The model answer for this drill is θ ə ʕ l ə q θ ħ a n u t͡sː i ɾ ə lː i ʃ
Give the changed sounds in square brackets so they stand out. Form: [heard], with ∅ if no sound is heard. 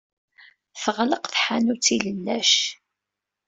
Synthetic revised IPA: θ ə [ʁ] l ə q θ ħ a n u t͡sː i [l] ə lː [æ] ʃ